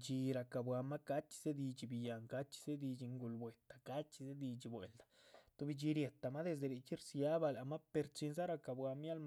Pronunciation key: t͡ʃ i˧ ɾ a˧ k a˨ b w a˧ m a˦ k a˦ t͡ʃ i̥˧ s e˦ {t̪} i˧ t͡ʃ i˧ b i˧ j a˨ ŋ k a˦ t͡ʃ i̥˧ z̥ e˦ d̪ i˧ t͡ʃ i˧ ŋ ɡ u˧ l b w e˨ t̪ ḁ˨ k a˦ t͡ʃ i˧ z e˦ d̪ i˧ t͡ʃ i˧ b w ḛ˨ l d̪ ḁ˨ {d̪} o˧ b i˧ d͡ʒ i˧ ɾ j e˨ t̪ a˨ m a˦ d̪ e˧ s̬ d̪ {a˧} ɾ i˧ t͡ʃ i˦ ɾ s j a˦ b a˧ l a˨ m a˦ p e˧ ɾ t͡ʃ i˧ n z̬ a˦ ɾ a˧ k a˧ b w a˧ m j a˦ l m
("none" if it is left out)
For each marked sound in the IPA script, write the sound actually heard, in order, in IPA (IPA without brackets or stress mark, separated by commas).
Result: d̪, t̪, e˧